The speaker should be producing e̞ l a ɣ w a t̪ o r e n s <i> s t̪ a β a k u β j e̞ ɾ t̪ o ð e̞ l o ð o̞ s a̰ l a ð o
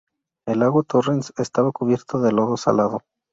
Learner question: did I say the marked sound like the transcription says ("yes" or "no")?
no